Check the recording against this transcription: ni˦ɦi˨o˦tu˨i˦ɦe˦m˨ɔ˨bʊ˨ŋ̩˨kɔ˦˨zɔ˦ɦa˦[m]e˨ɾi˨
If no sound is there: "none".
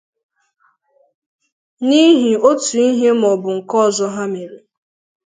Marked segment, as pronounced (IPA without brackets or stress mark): m